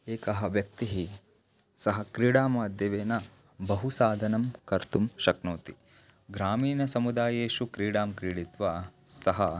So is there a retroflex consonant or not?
yes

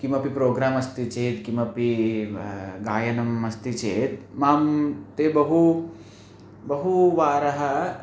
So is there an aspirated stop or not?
no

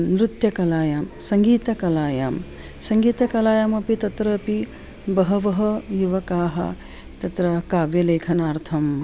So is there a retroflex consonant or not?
no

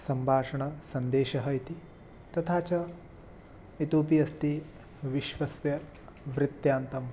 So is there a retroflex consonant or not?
yes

